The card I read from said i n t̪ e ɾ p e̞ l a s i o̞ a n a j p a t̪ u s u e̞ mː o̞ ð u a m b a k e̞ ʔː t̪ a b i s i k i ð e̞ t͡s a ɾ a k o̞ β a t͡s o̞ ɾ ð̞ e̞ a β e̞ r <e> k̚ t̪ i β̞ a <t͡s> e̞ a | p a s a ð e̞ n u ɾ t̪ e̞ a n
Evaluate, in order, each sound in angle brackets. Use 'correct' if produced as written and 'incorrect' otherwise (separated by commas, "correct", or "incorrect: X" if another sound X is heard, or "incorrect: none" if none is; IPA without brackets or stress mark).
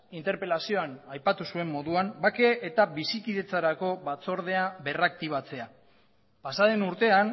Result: incorrect: a, correct